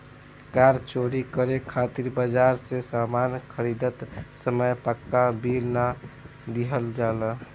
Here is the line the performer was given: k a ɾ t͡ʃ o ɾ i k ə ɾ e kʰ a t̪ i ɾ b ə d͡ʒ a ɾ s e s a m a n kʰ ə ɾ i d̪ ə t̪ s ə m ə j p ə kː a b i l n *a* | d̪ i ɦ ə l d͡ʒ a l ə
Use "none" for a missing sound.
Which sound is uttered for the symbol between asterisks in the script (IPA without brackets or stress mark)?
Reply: a